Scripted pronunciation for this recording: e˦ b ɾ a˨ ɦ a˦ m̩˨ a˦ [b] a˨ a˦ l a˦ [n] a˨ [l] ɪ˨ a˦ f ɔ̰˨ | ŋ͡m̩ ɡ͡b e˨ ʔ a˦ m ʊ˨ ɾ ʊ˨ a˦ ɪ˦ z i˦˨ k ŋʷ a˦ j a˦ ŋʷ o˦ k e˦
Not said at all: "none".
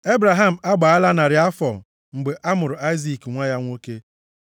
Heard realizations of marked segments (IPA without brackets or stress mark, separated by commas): ɡ͡b, n, ɾ